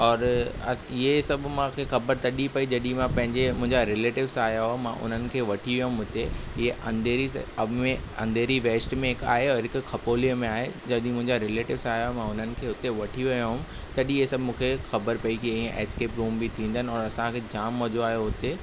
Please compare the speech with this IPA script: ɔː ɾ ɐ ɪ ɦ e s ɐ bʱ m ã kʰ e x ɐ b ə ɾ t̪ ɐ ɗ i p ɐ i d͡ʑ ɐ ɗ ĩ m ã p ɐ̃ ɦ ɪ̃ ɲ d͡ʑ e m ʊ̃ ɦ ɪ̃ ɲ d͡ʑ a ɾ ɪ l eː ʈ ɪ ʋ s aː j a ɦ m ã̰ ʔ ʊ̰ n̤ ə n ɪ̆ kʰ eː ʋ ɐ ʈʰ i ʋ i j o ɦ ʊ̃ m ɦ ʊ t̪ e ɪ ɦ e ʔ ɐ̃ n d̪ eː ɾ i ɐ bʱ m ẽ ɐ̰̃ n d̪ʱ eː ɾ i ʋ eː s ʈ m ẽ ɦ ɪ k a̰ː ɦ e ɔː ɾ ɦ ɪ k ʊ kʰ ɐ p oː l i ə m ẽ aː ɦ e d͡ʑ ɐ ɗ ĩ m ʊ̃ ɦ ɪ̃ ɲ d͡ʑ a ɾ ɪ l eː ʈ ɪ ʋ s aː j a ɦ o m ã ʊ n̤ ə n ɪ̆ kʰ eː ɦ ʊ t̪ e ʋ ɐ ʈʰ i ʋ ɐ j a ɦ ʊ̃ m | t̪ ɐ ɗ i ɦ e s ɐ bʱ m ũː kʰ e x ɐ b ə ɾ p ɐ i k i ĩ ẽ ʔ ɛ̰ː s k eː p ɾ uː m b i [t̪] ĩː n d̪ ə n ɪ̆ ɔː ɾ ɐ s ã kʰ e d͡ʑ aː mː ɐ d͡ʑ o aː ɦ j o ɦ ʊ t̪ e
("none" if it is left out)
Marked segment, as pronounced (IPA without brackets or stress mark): t̪ʰ